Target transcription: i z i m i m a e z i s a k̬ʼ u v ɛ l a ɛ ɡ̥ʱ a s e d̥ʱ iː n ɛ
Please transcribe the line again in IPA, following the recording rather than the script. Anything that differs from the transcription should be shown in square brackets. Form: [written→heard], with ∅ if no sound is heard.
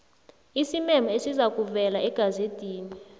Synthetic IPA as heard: i [z→s] i m [i→ɛ] m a e [z→s] i [s→z] a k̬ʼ u v ɛ l a ɛ ɡ̥ʱ a [s→z] e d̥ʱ iː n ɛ